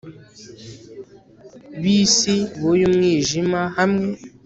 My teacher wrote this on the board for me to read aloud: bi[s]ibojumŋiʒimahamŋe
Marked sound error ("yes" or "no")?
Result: no